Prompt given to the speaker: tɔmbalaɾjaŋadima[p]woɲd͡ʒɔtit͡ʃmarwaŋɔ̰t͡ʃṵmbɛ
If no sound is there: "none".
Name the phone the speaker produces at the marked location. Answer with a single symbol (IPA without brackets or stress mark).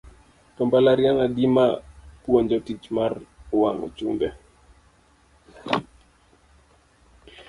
p